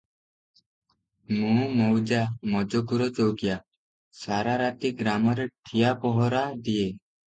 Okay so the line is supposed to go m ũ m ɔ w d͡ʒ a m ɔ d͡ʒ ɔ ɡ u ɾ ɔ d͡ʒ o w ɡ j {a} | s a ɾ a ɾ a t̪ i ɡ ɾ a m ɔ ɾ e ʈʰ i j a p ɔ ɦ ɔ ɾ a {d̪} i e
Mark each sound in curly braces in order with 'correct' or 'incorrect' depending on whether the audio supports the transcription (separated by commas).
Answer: correct, correct